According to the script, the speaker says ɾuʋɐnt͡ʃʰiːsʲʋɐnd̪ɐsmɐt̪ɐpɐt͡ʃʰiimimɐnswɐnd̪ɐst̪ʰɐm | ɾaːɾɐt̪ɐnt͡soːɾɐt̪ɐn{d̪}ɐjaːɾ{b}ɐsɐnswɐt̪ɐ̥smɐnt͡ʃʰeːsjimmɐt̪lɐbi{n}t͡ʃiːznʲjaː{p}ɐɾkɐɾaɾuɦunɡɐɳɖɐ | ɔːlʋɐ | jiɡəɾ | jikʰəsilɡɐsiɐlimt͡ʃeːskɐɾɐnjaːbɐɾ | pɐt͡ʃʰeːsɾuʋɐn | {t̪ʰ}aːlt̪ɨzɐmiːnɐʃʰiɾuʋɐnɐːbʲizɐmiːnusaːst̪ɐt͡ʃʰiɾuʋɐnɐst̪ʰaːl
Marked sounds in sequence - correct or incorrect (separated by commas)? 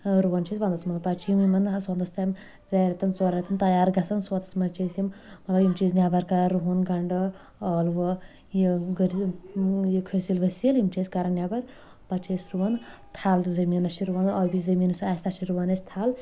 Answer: incorrect, incorrect, incorrect, incorrect, correct